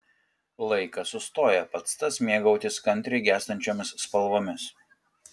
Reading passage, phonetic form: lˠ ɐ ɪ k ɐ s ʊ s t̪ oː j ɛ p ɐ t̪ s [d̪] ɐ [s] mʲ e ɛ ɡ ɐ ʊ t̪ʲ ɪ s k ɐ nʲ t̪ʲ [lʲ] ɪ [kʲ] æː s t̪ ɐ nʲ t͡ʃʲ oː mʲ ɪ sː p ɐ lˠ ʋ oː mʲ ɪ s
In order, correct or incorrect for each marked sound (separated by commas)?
incorrect, correct, incorrect, incorrect